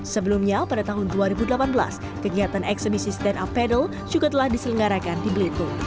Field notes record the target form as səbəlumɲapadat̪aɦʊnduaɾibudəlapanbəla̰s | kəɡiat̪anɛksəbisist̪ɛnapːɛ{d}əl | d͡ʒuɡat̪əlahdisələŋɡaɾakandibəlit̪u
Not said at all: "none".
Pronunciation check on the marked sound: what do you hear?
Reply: d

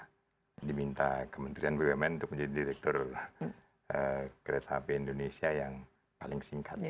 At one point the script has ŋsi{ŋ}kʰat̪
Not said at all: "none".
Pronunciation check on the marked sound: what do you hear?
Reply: ŋ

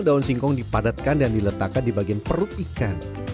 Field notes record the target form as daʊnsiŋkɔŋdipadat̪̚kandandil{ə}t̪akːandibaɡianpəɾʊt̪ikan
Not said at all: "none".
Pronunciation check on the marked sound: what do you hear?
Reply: ə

